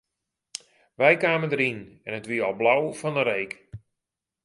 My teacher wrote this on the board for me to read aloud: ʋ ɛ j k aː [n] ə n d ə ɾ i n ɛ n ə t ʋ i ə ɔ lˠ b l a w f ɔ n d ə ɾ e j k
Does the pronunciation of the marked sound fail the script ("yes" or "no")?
yes